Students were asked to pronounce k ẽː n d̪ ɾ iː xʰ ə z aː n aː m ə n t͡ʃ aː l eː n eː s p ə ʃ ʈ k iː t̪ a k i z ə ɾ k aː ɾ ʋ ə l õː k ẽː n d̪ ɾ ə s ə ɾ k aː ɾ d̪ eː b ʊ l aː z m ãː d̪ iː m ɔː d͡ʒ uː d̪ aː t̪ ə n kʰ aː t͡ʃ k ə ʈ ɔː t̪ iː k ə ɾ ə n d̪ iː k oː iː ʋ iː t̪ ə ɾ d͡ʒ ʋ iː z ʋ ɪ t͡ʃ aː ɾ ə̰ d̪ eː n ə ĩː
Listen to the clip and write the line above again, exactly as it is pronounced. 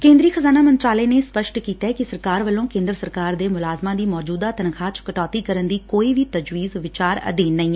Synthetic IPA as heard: k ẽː n d̪ ɾ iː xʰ ə z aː n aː m ə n t͡ʃ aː l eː n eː s p ə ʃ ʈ k iː t̪ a k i s ə ɾ k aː ɾ ʋ ə l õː k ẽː n d̪ ɾ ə s ə ɾ k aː ɾ d̪ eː m ʊ l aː z m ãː d̪ iː m ɔː d͡ʒ uː d̪ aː t̪ ə n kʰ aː t͡ʃ k ə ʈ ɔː t̪ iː k ə ɾ ə n d̪ iː k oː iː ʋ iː t̪ ə d͡ʒ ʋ iː z ʋ ɪ t͡ʃ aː ɾ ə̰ d̪ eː n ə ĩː